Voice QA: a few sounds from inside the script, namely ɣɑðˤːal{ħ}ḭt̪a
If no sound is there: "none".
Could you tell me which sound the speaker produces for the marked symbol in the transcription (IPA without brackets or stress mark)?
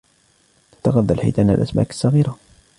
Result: ħ